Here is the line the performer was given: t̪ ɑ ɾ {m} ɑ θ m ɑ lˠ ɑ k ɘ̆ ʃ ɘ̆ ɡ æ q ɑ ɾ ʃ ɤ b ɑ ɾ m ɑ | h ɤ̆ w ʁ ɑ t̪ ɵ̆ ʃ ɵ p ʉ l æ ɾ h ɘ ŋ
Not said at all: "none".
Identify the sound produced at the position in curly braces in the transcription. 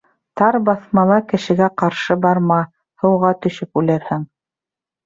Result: b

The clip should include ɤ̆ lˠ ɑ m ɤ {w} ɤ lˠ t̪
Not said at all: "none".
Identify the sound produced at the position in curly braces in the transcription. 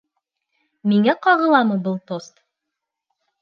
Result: b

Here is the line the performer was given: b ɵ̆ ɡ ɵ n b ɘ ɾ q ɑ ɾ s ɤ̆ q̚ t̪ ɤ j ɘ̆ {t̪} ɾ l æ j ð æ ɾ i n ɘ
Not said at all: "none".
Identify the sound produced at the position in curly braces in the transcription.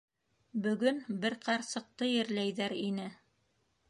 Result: none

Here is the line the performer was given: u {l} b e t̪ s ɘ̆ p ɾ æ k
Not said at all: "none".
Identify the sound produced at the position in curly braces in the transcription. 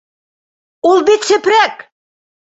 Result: l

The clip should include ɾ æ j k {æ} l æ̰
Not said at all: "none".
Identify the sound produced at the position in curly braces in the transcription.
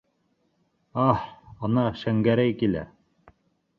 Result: i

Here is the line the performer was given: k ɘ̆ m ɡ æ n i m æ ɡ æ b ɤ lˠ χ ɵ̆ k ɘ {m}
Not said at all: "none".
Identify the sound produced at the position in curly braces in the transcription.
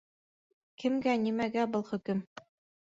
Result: m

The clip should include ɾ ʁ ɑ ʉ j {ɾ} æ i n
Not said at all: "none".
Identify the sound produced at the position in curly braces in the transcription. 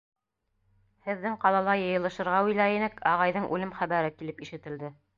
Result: l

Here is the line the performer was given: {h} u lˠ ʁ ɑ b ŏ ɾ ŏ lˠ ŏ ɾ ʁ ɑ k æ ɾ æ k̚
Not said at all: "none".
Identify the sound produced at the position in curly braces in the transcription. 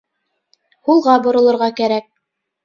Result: h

